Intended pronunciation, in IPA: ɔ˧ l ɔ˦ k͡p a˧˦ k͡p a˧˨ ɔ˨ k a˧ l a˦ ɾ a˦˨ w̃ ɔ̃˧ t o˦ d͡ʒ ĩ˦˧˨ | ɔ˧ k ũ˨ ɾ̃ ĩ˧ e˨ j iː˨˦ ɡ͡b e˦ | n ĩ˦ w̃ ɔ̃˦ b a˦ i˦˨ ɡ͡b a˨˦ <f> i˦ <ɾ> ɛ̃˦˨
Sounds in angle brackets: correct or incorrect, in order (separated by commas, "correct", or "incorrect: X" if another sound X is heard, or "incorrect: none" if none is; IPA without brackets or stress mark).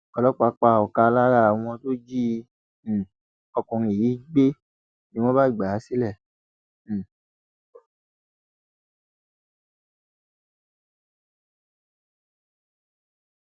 incorrect: s, incorrect: l